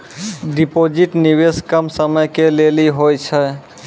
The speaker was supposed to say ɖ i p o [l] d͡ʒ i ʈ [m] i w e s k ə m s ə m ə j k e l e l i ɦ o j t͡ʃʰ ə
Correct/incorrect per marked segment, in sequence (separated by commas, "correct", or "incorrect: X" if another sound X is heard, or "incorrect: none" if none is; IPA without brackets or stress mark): incorrect: none, incorrect: n